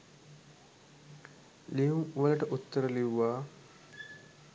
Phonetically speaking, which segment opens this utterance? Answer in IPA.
l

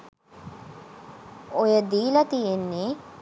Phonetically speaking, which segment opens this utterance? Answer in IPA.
o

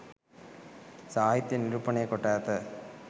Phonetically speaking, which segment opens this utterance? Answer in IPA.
s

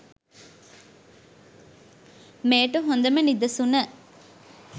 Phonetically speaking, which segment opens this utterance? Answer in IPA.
m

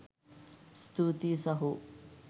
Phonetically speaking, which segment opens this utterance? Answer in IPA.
s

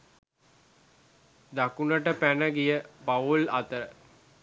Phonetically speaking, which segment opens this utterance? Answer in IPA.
d̪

